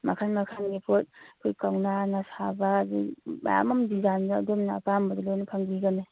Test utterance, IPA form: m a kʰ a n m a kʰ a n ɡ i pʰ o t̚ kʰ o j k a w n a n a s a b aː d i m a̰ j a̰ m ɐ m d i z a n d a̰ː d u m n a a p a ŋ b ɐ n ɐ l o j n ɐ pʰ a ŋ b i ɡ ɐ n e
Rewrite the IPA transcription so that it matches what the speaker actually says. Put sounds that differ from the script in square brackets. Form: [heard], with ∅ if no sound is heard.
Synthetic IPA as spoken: m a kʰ a n m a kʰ a n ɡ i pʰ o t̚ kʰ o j k a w n a n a s a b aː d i m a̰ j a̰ m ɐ m d i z a n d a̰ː d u m n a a p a [m] b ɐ [d] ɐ l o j n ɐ pʰ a ŋ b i ɡ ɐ n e